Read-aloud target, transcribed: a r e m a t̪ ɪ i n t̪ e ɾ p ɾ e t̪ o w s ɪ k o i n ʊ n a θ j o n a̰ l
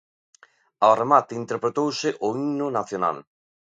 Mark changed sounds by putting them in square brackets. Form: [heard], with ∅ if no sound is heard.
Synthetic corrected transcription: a r e m a t̪ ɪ i n t̪ e ɾ p ɾ e t̪ o w s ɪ [ʔ] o i n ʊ n a θ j o n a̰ l